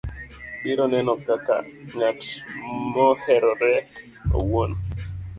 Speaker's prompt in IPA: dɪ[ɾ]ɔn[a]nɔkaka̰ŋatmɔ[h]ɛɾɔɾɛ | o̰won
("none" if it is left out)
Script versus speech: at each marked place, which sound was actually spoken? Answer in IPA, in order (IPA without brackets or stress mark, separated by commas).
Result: ɾ, ɛ, h